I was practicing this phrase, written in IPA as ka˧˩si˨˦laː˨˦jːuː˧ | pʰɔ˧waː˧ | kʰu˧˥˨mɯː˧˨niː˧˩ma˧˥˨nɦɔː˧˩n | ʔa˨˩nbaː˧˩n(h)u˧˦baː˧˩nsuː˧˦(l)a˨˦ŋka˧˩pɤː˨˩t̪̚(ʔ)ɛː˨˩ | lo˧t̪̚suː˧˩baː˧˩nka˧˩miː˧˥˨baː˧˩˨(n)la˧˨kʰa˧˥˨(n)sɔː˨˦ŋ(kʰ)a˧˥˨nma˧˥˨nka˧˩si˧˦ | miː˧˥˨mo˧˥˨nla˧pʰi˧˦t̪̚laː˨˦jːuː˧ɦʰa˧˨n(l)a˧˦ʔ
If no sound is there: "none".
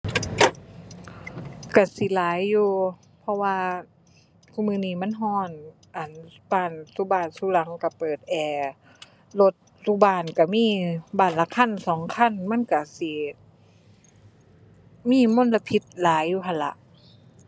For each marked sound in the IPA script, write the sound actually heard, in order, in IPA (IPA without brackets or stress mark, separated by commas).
s, l, ʔ, n, n, kʰ, l